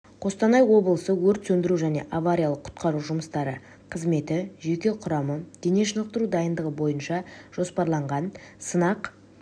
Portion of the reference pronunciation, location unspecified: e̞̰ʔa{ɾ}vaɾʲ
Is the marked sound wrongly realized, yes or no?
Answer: yes